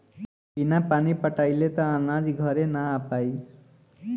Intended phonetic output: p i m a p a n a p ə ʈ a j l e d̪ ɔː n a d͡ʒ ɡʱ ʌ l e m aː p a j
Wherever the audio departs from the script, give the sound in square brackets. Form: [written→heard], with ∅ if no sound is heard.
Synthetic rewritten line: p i [m→n] a p a n [a→i] p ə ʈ a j l e [d̪→t̪] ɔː n a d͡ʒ ɡʱ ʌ [l→ɾ] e [m→n] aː p a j